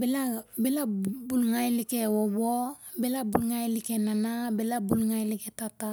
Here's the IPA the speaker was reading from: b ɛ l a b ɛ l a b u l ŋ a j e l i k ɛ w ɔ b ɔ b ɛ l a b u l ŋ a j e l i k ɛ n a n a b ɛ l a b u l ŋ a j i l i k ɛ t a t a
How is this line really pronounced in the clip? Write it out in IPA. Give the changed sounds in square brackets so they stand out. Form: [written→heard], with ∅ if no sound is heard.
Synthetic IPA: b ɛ l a b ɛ l a b u l ŋ a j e l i k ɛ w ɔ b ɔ b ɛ l a b u l ŋ a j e l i k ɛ n a n a b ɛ l a b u l ŋ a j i l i k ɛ t a t a